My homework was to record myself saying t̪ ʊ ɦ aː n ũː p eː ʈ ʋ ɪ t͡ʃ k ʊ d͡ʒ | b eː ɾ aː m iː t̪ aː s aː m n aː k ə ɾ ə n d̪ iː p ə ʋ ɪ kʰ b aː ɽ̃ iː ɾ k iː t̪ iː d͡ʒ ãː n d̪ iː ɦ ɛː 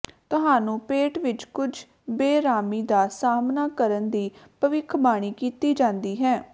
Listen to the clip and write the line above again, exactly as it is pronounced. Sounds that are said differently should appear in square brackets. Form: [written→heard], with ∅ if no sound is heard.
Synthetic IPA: t̪ ʊ ɦ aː n ũː p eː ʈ ʋ ɪ t͡ʃ k ʊ d͡ʒ | b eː ɾ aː m iː [t̪→d̪] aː s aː m n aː k ə ɾ ə n d̪ iː p ə ʋ ɪ kʰ b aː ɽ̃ iː [ɾ→∅] k iː t̪ iː d͡ʒ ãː n d̪ iː ɦ ɛː